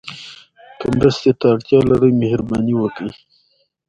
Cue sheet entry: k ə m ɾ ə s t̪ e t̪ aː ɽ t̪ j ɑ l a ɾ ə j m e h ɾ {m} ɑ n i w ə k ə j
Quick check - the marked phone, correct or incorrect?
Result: incorrect